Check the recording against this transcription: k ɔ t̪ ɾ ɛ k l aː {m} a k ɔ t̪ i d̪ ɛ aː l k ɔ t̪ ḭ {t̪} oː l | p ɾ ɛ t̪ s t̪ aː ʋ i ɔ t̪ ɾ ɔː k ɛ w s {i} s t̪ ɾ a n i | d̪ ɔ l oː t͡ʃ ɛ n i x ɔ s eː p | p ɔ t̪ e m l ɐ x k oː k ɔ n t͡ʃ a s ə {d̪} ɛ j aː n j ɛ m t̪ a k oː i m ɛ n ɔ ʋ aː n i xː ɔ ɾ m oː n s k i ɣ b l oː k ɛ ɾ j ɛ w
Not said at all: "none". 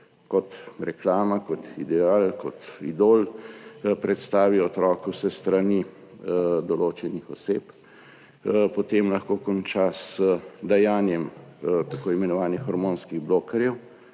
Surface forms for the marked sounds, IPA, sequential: m, d̪, ɛ, d̪

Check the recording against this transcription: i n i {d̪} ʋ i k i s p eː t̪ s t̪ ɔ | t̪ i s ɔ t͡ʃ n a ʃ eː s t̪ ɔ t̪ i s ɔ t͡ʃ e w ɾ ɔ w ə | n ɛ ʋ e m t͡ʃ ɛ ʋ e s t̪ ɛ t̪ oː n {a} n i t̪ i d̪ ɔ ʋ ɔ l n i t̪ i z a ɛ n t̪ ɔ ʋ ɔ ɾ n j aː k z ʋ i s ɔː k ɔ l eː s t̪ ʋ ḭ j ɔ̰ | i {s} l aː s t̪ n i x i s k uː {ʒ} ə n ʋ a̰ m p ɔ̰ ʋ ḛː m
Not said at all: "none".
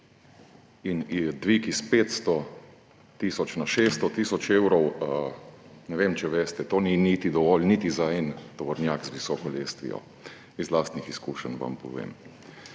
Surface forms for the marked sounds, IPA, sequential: d̪, i, z, ʃ

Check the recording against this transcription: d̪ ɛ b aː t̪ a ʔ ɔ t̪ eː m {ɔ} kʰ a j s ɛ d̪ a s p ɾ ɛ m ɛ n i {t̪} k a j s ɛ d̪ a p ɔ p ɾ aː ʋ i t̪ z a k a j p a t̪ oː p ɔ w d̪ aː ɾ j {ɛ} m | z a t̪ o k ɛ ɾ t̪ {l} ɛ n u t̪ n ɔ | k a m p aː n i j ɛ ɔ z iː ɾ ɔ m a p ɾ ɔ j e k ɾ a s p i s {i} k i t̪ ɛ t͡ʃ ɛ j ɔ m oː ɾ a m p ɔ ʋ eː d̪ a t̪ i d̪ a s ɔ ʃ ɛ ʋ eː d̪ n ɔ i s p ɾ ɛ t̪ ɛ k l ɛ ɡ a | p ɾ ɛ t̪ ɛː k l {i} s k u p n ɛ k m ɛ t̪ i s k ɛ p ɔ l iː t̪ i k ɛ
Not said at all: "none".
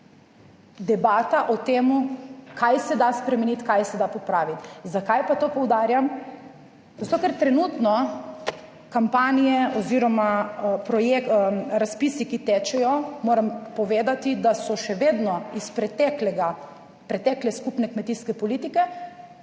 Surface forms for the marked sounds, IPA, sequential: u, t̪, a, ɾ, i, ɛ

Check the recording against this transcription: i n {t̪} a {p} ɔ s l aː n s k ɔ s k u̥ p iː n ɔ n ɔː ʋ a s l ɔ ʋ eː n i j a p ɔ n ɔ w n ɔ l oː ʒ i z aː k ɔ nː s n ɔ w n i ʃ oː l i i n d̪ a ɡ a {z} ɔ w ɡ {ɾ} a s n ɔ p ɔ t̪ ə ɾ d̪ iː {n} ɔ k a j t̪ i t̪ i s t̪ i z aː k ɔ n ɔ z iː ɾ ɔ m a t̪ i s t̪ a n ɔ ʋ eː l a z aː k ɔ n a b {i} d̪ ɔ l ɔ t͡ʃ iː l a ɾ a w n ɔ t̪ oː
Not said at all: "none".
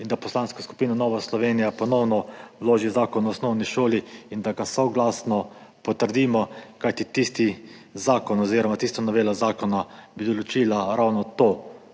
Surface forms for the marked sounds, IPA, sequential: d̪, p, s, l, m, i

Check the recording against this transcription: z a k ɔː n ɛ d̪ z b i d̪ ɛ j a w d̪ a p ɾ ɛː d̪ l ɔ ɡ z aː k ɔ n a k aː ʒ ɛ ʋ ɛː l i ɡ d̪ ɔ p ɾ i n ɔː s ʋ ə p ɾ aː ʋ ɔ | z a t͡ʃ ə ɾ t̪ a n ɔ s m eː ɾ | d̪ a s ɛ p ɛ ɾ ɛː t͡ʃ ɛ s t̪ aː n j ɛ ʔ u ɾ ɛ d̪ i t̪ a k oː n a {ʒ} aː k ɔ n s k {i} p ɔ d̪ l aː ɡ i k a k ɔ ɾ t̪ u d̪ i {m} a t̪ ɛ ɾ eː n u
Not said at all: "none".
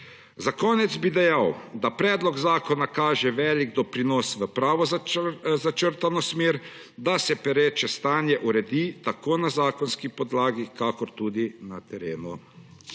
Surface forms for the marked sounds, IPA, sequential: z, i, n

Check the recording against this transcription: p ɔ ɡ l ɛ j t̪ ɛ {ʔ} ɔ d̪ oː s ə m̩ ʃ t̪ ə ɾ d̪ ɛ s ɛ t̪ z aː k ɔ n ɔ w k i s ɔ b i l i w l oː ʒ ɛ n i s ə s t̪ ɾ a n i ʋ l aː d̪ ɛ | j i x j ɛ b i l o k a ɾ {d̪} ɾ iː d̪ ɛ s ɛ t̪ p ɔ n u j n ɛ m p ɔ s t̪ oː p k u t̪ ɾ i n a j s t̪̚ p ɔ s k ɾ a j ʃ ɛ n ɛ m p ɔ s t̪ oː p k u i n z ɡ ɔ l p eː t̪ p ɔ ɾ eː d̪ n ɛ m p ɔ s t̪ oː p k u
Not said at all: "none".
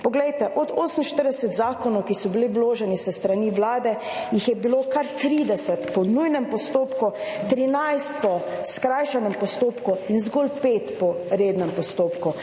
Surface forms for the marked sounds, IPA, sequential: ʔ, t̪

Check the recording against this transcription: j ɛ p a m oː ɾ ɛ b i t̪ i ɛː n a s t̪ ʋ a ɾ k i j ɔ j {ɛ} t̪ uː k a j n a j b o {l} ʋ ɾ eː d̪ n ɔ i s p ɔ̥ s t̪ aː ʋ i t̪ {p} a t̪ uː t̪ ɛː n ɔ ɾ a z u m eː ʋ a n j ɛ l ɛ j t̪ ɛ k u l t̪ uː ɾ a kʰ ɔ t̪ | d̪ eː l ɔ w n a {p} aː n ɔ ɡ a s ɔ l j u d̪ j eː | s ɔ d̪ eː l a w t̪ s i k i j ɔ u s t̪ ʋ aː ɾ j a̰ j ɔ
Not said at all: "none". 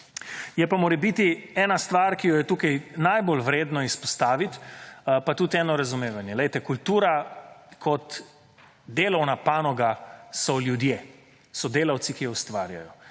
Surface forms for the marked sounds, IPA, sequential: ɛ, l, p, p

